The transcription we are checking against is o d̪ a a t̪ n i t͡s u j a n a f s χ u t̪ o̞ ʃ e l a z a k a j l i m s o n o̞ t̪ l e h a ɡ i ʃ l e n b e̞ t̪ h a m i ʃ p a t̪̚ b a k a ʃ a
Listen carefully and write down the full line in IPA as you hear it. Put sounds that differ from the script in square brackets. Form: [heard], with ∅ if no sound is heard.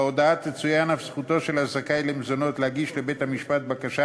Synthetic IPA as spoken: o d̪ a a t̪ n [e] t͡s u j a n a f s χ u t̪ o̞ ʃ e l a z a k a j l [e] m [z] o n o̞ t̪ l e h a ɡ i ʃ l e [∅] b e̞ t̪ h a m i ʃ p a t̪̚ b a k a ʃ a